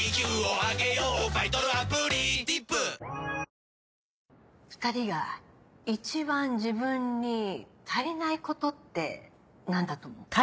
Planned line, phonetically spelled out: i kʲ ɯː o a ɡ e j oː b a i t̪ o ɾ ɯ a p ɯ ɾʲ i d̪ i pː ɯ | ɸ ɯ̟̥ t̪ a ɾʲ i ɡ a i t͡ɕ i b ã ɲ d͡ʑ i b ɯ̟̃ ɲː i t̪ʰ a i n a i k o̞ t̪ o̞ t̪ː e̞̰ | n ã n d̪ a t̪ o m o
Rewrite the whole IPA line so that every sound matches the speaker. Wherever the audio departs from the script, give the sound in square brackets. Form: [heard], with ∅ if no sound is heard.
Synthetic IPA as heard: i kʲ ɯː o a ɡ e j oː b a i t̪ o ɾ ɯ a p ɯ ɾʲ i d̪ i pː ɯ | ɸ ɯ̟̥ t̪ a ɾʲ i ɡ a i t͡ɕ i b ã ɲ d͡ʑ i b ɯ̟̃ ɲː i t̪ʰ a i n a i k o̞ t̪ o̞ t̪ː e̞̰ | n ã n d̪ a t̪ o m o